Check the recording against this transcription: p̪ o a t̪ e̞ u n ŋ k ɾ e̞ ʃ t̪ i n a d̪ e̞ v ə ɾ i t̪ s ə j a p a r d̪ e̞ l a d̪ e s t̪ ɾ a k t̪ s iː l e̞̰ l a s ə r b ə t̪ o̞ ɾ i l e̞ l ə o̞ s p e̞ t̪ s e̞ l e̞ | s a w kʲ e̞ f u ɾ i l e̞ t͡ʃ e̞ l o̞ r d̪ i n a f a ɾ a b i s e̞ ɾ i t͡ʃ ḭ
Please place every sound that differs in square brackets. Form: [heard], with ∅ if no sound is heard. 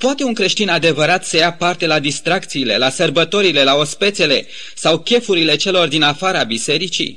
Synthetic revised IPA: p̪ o a t̪ e̞ u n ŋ k ɾ e̞ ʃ t̪ i n a d̪ e̞ v ə ɾ [a] t̪ s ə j a p a r [t̪] e̞ l a d̪ [i] s t̪ ɾ a k t̪ s iː l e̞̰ l a s ə r b ə t̪ o̞ ɾ i l e̞ l [a] o̞ s p e̞ t̪ s e̞ l e̞ | s a w kʲ e̞ f u ɾ i l e̞ t͡ʃ e̞ l o̞ r d̪ i n a f a ɾ a b i s e̞ ɾ i t͡ʃ ḭ